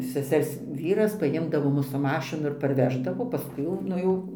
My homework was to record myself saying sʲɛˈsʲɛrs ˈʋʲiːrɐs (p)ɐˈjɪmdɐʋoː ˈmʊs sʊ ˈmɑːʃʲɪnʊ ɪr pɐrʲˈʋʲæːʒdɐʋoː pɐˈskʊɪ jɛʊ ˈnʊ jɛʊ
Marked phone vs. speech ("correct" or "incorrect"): correct